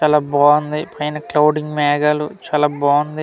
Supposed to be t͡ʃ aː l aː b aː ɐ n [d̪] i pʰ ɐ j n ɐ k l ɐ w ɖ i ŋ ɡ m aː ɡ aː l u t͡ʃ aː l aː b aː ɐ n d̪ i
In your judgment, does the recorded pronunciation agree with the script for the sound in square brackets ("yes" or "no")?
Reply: yes